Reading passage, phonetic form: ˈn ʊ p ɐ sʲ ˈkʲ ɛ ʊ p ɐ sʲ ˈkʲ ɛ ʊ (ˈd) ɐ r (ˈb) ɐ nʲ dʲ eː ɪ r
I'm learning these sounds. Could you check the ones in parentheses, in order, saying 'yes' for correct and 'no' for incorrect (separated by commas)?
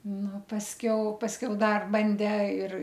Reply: yes, yes